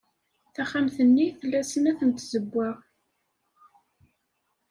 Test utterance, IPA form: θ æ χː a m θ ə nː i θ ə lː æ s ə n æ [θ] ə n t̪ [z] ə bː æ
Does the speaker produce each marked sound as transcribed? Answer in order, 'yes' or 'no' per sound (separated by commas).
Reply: yes, yes